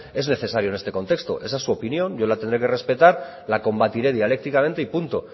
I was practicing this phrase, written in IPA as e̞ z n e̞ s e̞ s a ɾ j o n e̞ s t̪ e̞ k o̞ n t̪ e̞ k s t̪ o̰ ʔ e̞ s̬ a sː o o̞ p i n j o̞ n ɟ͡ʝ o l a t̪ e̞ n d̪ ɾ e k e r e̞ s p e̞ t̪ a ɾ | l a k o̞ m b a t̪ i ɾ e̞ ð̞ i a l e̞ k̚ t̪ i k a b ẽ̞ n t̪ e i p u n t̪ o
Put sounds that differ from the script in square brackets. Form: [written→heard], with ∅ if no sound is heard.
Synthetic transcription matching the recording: e̞ z n e̞ [s→θ] e̞ s a ɾ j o n e̞ s t̪ e̞ k o̞ n t̪ e̞ k s t̪ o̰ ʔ e̞ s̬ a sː [o→u] o̞ p i n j o̞ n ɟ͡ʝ o l a t̪ e̞ n d̪ ɾ e k e r e̞ s p e̞ t̪ a ɾ | l a k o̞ m b a t̪ i ɾ e̞ ð̞ i a l e̞ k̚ t̪ i k a [b→m] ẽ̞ n t̪ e i p u n t̪ o